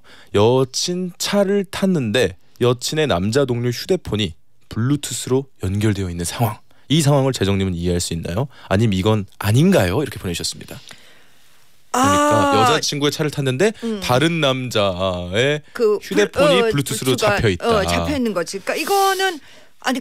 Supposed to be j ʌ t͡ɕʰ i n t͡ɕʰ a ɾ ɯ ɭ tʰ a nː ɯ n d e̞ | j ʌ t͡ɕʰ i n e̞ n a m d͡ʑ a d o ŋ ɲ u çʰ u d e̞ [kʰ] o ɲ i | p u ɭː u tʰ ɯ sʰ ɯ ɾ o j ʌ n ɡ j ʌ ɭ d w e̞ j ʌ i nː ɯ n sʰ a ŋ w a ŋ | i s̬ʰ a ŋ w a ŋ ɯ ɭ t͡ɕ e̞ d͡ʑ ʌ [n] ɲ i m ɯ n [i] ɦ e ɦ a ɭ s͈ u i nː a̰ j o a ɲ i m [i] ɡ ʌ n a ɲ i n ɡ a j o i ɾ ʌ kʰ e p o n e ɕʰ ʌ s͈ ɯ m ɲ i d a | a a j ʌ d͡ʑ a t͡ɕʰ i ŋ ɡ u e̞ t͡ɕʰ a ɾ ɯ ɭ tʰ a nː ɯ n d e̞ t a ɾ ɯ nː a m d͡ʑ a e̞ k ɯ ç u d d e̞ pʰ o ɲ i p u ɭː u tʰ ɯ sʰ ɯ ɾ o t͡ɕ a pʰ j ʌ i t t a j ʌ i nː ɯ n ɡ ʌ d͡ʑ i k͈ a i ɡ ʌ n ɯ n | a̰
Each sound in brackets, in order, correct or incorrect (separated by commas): incorrect, incorrect, correct, correct